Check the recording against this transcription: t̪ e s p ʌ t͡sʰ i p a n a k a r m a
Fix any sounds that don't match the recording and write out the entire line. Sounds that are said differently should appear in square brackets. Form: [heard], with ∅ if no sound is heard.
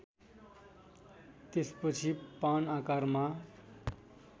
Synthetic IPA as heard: t̪ e s p ʌ t͡sʰ i p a n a k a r m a